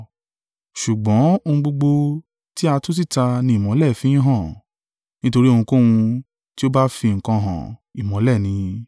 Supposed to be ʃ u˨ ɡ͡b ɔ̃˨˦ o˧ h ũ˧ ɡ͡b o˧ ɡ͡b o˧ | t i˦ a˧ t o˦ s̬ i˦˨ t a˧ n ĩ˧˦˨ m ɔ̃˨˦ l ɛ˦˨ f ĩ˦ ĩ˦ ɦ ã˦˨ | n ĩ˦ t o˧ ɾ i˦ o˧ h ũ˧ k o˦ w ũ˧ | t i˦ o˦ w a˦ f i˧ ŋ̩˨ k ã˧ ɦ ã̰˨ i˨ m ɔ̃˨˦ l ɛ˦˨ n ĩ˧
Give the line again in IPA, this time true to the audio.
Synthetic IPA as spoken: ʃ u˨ ɡ͡b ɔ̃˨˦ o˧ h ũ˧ ɡ͡b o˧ ɡ͡b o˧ | t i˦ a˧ t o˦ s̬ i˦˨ t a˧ n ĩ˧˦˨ m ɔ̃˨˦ l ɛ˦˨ f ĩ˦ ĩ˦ ɦ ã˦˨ | n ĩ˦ t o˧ ɾ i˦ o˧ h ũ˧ k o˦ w ũ˧ | t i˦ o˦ b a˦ f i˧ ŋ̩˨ k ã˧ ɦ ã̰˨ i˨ m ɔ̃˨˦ l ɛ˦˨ n ĩ˧